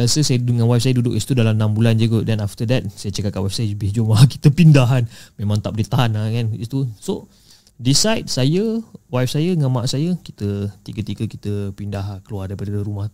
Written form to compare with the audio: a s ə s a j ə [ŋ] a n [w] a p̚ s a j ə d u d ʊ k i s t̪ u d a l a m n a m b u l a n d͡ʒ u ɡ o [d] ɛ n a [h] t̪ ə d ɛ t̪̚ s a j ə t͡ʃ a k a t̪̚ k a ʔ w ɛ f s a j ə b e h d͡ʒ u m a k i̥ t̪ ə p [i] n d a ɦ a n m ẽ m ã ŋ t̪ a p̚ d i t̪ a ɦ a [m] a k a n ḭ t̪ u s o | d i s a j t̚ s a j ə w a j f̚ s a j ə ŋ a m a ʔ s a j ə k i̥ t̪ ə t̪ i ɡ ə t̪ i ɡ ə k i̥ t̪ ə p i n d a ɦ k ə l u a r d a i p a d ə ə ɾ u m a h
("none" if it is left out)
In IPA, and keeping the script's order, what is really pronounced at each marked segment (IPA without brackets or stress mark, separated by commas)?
ŋ, w, d, f, i, n